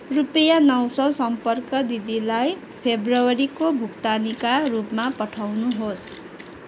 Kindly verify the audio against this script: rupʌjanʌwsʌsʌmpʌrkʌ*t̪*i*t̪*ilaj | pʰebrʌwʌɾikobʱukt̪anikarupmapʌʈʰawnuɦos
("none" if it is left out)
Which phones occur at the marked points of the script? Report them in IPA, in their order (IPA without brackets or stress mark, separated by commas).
d̪, d̪